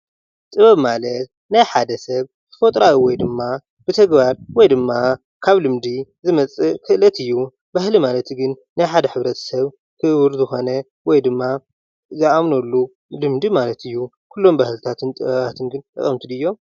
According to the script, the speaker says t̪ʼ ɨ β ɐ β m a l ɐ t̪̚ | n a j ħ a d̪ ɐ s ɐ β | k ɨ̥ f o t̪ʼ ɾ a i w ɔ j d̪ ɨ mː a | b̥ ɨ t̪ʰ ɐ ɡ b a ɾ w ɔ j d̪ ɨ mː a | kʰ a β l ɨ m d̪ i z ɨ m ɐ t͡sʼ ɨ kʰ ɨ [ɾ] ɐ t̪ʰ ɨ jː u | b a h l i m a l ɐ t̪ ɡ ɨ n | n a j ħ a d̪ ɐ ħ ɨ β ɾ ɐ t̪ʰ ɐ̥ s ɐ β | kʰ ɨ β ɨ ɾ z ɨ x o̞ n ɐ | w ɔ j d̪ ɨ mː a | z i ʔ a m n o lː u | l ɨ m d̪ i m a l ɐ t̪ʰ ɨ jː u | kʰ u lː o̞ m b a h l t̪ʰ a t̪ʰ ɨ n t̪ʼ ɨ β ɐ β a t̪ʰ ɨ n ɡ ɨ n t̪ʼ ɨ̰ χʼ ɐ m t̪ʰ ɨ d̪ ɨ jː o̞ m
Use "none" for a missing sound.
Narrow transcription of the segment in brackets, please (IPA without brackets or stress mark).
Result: l